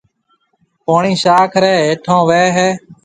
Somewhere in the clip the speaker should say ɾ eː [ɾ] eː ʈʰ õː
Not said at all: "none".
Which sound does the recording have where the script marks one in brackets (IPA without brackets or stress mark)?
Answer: none